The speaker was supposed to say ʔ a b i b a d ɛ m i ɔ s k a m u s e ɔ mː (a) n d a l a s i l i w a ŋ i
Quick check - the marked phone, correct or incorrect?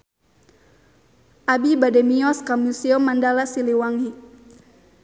correct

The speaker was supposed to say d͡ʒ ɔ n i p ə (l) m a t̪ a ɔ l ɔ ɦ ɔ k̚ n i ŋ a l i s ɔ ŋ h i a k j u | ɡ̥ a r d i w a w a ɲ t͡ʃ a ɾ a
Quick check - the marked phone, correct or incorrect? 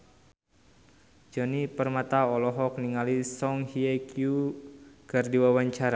incorrect: r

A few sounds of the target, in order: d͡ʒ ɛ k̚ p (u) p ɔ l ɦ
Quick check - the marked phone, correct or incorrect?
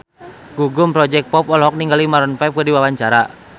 incorrect: ɔ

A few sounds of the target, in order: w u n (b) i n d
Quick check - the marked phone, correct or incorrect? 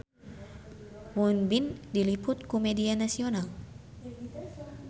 correct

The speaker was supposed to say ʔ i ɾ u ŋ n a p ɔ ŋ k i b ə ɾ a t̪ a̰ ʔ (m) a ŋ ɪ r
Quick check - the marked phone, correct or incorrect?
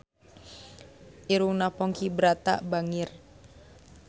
incorrect: b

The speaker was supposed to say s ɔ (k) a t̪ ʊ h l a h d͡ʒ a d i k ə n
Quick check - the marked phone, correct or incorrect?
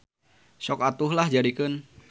correct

